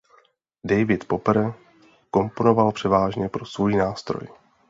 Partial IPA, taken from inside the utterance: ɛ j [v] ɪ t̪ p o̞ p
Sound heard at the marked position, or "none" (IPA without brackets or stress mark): v